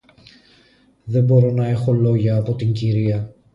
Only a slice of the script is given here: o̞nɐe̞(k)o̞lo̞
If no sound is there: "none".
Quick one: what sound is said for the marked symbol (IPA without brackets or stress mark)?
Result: x